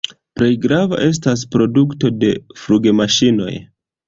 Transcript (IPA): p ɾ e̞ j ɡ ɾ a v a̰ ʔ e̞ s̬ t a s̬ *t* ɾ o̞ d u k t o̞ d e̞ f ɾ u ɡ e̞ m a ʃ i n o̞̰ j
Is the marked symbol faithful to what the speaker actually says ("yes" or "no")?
no